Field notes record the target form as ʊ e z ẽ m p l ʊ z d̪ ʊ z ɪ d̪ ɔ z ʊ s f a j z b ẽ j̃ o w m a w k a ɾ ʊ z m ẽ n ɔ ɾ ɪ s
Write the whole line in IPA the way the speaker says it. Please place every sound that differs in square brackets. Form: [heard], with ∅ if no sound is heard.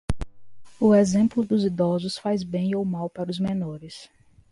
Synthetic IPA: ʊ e z ẽ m p l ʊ [∅] d̪ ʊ z [i] d̪ ɔ z ʊ s f a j z b ẽ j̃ o w m a w [p] a ɾ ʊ z m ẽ n ɔ ɾ ɪ s